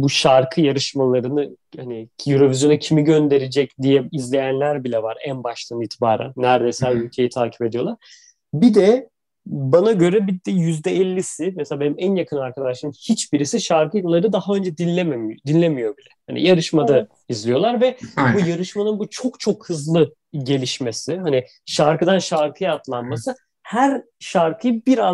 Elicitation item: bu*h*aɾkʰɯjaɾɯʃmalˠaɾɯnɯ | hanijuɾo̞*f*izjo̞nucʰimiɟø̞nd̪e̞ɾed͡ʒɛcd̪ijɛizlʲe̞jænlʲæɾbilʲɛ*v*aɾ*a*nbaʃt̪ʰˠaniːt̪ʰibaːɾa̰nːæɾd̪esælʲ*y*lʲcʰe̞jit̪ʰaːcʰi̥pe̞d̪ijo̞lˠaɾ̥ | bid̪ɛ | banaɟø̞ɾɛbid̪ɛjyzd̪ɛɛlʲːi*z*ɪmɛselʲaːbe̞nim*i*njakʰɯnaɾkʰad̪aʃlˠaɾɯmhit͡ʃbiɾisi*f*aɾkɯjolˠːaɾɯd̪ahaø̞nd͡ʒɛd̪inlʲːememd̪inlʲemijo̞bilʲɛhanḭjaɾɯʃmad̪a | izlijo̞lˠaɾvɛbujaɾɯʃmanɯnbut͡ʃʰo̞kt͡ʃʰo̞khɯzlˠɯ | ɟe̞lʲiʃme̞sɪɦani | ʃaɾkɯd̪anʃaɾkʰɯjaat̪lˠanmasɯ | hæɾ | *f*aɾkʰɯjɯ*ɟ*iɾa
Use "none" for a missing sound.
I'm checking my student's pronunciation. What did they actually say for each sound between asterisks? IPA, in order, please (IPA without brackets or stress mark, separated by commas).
ʃ, v, v, æ, y, s, æ, ʃ, ʃ, b